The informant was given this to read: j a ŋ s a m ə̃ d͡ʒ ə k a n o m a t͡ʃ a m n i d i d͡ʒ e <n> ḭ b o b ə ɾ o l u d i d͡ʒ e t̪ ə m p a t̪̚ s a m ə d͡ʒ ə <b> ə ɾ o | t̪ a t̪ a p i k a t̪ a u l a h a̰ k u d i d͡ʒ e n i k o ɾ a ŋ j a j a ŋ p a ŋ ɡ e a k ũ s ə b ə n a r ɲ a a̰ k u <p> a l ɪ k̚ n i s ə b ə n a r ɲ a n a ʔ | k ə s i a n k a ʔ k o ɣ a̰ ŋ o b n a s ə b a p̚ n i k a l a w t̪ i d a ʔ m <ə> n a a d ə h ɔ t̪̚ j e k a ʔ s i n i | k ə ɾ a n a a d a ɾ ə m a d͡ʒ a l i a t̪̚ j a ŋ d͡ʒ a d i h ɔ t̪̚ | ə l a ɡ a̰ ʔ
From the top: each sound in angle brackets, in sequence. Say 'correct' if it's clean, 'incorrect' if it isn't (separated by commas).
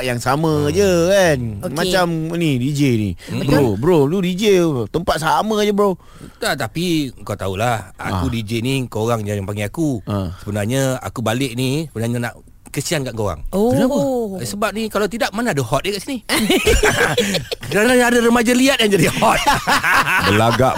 correct, correct, incorrect, incorrect